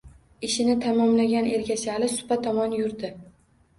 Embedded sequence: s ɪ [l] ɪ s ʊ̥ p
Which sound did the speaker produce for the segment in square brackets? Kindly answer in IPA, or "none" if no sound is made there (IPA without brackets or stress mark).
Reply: l